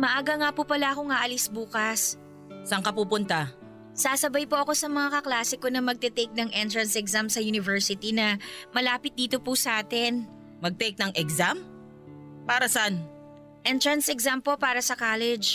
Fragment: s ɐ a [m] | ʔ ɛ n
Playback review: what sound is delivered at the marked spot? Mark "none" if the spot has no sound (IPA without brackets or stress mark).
n